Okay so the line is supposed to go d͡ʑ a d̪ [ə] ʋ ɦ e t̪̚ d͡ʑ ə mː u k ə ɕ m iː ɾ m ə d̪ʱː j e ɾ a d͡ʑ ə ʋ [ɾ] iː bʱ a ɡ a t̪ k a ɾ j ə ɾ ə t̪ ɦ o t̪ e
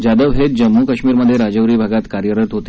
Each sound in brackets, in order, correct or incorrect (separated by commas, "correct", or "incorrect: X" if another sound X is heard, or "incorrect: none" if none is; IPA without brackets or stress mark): correct, correct